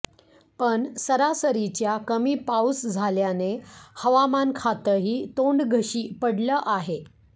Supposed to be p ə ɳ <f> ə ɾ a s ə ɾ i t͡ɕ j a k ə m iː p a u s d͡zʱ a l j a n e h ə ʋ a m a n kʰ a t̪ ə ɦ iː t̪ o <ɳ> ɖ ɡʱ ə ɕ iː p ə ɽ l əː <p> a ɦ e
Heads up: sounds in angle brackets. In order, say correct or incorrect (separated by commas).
incorrect, correct, incorrect